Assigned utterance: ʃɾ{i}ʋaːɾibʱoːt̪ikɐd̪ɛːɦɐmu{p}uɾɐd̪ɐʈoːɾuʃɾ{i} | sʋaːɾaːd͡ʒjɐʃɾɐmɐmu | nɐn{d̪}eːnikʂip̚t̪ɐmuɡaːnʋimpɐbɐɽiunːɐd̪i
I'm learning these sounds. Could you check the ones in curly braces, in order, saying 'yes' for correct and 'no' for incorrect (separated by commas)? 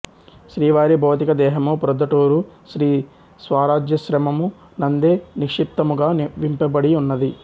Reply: no, yes, no, yes